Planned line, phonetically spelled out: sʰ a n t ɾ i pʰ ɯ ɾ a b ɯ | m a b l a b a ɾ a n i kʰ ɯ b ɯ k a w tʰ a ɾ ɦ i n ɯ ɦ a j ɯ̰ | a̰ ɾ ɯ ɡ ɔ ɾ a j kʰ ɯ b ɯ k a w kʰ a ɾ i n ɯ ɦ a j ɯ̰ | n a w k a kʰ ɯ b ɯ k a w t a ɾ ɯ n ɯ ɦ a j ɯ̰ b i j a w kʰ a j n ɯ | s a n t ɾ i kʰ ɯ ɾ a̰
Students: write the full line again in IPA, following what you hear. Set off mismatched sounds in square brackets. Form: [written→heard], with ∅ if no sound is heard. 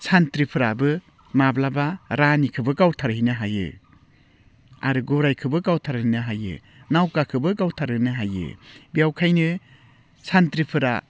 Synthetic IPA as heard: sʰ a n t ɾ i pʰ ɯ ɾ a b ɯ | m a b l a b a ɾ a n i kʰ ɯ b ɯ k a w tʰ a ɾ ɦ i n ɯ ɦ a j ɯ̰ | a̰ ɾ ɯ ɡ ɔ ɾ a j kʰ ɯ b ɯ k a w [kʰ→tʰ] a ɾ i n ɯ ɦ a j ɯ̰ | n a w k a kʰ ɯ b ɯ k a w [t→tʰ] a ɾ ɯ n ɯ ɦ a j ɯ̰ b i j a w kʰ a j n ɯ | s a n t ɾ i [kʰ→pʰ] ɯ ɾ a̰